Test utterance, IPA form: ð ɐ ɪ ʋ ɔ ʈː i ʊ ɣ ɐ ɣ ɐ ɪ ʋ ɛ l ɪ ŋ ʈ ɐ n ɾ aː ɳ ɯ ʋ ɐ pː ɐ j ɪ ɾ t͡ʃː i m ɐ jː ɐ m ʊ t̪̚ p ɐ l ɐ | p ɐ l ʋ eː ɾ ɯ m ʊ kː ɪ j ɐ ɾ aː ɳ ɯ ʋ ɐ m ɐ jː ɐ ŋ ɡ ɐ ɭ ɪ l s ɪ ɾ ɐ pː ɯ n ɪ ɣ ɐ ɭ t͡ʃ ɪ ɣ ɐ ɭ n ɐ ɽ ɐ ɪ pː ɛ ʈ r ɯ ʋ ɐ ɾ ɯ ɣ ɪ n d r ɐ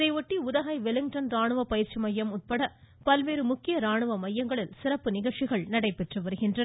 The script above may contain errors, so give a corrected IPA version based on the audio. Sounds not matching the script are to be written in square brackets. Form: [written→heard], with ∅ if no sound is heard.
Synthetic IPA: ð ɐ ɪ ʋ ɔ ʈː i ʊ [ɣ→ð] ɐ ɣ ɐ ɪ ʋ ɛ l ɪ ŋ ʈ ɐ n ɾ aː ɳ ɯ ʋ ɐ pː ɐ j ɪ ɾ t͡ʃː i m ɐ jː ɐ m ʊ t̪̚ p ɐ [l→ɽ] ɐ | p ɐ l ʋ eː ɾ ɯ m ʊ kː ɪ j ɐ ɾ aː ɳ ɯ ʋ ɐ m ɐ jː ɐ ŋ ɡ ɐ ɭ ɪ l s ɪ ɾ ɐ pː ɯ n ɪ ɣ ɐ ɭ t͡ʃ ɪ ɣ ɐ ɭ n ɐ ɽ ɐ ɪ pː ɛ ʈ r ɯ ʋ ɐ ɾ ɯ ɣ ɪ n d r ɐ